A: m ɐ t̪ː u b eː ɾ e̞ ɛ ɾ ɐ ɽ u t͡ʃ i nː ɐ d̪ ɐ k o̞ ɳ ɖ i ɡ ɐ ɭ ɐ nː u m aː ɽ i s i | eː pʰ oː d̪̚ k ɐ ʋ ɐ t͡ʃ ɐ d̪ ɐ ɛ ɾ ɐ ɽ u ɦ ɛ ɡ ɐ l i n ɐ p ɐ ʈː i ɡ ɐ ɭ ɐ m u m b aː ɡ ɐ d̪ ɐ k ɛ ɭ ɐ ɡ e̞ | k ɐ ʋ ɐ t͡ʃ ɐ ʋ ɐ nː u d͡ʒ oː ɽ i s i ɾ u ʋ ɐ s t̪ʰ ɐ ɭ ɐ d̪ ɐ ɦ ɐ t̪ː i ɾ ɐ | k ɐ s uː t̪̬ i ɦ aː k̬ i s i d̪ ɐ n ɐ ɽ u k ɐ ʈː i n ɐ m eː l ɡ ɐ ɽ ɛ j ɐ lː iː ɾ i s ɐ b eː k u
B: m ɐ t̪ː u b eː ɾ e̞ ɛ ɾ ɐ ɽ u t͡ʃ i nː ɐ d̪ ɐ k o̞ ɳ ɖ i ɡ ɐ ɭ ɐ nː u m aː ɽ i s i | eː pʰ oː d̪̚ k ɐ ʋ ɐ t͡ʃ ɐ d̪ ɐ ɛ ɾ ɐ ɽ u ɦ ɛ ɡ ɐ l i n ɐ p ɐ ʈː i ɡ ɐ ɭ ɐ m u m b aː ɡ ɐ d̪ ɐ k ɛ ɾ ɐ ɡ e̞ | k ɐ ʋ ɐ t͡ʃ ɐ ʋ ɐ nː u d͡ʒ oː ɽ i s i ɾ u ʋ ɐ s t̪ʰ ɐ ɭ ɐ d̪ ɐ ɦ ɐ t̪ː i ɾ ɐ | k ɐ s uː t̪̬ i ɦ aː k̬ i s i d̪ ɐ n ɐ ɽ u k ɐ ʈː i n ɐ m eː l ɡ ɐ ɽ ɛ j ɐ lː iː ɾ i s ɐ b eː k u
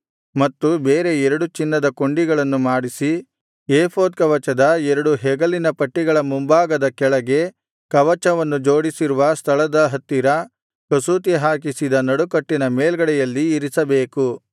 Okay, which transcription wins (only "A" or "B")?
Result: A